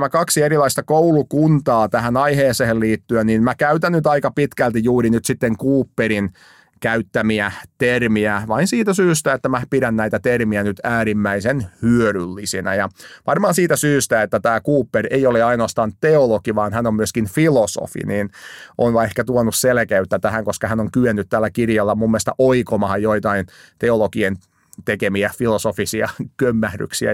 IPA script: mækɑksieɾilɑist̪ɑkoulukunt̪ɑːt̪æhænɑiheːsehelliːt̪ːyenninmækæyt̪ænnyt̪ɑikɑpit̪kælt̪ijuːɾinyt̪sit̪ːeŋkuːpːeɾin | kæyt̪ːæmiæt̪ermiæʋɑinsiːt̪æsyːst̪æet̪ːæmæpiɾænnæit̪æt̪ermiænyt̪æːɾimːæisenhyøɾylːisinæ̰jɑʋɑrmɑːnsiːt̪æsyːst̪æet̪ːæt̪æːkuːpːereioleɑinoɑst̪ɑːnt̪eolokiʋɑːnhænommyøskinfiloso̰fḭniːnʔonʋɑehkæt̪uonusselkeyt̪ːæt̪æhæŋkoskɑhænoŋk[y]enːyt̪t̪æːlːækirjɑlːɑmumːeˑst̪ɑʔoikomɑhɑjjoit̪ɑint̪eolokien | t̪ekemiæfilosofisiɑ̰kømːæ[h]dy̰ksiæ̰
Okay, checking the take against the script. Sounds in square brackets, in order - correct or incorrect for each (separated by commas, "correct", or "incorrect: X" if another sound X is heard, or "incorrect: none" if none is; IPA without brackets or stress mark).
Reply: correct, correct